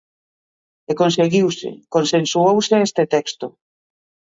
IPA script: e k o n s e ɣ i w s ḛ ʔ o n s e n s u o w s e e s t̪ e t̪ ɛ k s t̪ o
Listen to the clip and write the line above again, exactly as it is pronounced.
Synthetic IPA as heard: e k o n s e ɣ i w s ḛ k o n s e n s u o w s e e s t̪ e t̪ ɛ k s t̪ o